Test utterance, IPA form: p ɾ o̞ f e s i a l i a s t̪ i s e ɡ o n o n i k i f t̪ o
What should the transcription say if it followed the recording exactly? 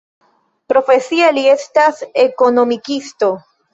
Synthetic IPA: p ɾ o̞ f e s i a l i e s t̪ a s e k o n o m i k i s t̪ o